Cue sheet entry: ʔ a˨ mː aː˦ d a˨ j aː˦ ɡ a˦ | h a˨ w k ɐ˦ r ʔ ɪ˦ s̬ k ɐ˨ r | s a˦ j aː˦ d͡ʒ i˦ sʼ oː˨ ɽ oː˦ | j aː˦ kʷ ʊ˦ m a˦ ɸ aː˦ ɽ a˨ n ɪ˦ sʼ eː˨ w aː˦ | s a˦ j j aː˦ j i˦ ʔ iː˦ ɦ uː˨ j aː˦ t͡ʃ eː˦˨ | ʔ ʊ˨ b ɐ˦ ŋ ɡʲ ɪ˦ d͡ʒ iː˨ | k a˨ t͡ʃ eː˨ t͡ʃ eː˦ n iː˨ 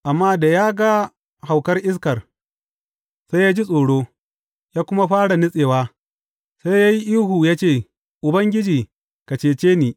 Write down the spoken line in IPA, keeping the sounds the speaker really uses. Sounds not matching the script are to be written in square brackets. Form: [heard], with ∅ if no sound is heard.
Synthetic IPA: ʔ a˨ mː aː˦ d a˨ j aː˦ ɡ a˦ | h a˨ w k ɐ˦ r ʔ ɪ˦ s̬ k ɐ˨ r | s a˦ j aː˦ d͡ʒ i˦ sʼ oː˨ ɽ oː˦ | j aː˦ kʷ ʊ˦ m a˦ ɸ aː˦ ɽ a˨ n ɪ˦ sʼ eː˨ w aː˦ | s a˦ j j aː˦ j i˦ ʔ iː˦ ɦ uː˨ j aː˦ t͡ʃ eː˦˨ | ʔ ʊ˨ b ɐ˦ ŋ ɡʲ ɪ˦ d͡ʒ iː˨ | k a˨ t͡ʃ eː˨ t͡ʃ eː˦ n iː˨

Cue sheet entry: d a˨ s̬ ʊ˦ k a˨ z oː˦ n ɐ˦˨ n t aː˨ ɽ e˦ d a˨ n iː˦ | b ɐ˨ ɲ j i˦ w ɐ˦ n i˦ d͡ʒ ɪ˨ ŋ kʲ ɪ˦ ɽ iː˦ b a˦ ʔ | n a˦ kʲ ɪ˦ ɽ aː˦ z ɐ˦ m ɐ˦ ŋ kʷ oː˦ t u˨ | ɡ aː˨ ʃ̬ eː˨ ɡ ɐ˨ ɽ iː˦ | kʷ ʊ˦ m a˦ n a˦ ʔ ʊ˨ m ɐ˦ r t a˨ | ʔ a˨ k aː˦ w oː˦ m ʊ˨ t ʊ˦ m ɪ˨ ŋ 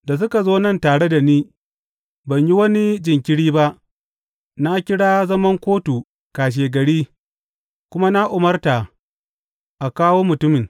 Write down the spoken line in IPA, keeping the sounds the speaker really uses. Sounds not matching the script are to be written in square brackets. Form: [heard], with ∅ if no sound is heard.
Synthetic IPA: d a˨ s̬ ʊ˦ k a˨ z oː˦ n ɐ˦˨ n t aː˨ ɽ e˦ d a˨ n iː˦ | b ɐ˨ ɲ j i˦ w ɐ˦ n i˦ d͡ʒ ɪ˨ ŋ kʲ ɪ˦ ɽ iː˦ b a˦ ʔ | n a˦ kʲ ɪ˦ ɽ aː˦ z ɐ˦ m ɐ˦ ŋ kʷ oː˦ t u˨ | [k] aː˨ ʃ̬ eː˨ ɡ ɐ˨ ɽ iː˦ | kʷ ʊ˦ m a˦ n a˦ ʔ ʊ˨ m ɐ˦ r t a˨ | ʔ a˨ k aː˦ w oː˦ m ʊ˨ t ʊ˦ m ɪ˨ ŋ

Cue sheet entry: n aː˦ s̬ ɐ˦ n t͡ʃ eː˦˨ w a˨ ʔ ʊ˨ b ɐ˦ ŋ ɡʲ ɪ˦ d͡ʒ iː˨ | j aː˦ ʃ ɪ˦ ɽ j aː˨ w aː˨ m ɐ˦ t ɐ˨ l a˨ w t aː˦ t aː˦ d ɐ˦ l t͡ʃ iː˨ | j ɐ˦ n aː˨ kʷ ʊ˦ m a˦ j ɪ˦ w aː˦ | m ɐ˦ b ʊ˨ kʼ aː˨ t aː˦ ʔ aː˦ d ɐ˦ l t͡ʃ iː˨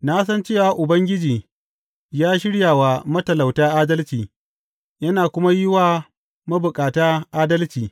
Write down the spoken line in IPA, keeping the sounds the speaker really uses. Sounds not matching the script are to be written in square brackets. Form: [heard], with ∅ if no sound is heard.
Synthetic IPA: n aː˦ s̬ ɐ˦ n t͡ʃ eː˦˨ w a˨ ʔ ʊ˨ b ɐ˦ ŋ ɡʲ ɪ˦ d͡ʒ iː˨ | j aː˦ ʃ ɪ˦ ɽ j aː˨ w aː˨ m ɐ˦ t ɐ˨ l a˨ w t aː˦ [ʔ] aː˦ d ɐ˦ l t͡ʃ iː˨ | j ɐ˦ n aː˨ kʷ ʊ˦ m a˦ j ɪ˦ w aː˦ | m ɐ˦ b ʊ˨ kʼ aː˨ t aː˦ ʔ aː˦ d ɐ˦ l t͡ʃ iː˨

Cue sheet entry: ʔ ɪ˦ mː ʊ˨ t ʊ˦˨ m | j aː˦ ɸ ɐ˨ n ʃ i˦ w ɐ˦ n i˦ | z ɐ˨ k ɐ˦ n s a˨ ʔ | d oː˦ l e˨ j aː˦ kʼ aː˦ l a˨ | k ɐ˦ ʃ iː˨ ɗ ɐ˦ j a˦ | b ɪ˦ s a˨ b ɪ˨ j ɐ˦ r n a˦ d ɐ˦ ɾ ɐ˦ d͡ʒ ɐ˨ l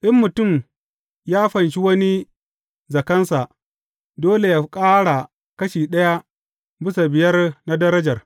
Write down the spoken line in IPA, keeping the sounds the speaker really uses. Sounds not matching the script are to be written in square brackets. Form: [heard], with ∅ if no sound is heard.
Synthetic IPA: ʔ ɪ˦ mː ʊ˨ t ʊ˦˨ m | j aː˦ ɸ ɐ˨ n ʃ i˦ w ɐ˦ n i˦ | z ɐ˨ k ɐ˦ n s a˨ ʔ | d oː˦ l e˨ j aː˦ kʼ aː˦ [ɽ] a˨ | k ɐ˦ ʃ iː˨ ɗ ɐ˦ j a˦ | b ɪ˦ s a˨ b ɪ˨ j ɐ˦ r n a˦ d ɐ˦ ɾ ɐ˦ d͡ʒ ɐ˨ [r]

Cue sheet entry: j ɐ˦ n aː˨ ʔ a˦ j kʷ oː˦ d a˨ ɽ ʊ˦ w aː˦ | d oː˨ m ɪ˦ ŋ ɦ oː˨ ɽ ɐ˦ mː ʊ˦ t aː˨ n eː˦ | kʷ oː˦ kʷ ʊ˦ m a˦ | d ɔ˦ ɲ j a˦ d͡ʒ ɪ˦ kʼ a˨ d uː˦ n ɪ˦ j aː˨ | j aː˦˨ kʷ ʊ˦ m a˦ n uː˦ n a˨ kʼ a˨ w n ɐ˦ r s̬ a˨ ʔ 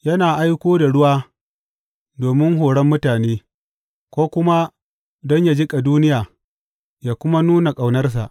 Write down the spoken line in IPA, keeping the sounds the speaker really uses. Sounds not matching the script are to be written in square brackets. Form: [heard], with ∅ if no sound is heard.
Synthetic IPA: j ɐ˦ n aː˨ ʔ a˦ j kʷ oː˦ d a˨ ɽ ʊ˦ w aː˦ | d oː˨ m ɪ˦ ŋ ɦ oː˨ ɽ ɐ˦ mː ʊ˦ t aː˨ n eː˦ | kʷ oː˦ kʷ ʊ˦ m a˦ | d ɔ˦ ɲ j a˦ d͡ʒ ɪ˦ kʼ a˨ d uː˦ n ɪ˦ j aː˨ | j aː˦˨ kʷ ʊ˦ m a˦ n uː˦ n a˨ kʼ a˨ w n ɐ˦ r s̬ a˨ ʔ

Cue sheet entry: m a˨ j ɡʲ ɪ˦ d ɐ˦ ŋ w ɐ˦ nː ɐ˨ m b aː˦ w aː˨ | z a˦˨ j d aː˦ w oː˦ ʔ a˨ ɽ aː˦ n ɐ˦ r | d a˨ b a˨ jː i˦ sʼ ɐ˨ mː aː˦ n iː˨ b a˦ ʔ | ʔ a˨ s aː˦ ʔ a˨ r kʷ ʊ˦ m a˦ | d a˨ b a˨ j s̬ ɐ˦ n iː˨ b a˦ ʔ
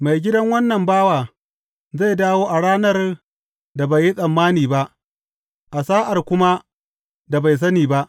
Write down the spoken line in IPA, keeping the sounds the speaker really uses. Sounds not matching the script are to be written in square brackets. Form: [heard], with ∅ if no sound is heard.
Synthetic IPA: m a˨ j ɡʲ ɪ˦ d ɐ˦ ŋ w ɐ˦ nː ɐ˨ m b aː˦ w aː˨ | z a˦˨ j d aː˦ w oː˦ ʔ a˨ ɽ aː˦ n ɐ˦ r | d a˨ b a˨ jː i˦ sʼ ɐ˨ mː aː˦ n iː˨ b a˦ ʔ | ʔ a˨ s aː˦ ʔ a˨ r kʷ ʊ˦ m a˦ | d a˨ b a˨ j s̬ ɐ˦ n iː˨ b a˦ ʔ

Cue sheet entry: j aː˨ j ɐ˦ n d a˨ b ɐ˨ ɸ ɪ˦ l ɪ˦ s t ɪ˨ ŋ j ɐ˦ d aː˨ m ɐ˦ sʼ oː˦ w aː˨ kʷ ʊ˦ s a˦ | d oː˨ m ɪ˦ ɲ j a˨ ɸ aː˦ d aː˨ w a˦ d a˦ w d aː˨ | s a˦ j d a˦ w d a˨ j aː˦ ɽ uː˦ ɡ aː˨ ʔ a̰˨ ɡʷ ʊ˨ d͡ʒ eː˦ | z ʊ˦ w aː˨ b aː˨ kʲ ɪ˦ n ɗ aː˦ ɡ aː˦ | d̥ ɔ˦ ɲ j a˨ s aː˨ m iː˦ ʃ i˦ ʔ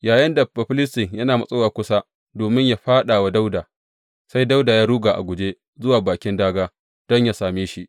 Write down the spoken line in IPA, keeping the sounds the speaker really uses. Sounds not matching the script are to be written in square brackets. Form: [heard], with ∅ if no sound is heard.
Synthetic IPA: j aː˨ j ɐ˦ n d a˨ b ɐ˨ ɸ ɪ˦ l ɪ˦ s t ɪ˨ ŋ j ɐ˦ [n] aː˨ m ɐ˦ sʼ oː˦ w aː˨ kʷ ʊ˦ s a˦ | d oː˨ m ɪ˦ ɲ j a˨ ɸ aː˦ [ɗ] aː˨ w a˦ d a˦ w d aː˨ | s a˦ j d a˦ w d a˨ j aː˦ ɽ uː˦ ɡ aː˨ ʔ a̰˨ ɡʷ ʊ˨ d͡ʒ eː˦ | z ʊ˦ w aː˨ b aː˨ kʲ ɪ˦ n [d] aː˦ ɡ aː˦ | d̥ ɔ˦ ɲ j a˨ s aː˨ m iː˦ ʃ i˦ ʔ

